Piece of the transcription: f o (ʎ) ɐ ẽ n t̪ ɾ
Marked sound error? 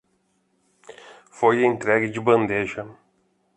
yes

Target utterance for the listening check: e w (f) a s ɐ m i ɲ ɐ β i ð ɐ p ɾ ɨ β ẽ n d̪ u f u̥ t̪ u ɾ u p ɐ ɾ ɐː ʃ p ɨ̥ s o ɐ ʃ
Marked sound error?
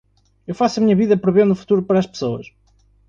no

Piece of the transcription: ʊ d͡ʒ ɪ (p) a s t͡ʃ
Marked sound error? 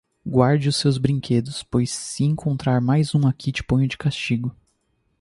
yes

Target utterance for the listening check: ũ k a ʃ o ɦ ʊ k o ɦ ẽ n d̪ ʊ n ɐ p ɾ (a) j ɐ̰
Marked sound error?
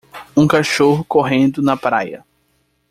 no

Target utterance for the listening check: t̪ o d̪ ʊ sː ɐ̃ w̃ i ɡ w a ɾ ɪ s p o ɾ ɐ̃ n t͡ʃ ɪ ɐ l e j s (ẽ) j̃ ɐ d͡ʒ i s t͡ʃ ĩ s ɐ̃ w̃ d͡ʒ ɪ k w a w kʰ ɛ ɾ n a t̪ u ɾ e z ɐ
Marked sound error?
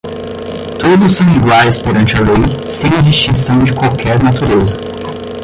no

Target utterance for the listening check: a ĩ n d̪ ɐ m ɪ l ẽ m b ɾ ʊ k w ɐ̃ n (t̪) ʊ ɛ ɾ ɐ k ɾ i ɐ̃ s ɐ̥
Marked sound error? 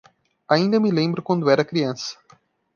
yes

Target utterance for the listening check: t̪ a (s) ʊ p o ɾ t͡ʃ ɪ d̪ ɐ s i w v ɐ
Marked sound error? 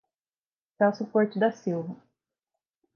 no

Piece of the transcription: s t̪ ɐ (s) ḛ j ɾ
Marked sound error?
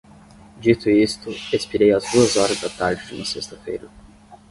yes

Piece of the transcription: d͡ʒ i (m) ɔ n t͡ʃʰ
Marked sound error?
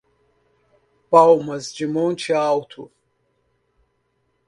no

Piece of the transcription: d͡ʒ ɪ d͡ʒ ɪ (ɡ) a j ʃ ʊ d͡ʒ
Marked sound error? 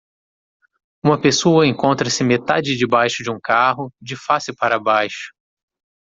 yes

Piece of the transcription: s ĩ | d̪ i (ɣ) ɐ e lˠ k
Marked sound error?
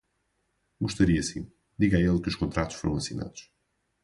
no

